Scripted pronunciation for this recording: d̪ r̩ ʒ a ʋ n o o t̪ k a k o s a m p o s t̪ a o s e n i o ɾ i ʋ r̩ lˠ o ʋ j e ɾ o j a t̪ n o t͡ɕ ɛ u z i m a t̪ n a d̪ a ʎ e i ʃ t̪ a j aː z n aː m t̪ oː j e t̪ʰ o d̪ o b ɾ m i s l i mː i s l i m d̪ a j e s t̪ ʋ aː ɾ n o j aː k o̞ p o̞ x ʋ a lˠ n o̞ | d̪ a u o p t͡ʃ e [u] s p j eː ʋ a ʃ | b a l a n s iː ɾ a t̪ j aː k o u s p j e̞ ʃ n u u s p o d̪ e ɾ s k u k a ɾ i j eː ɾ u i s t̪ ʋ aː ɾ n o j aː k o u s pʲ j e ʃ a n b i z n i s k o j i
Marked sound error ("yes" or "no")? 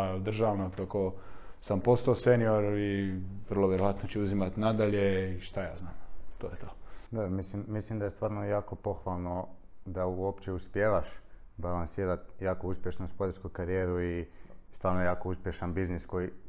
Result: no